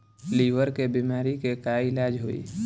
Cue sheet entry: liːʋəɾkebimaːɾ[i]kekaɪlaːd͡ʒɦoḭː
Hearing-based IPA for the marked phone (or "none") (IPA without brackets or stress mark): i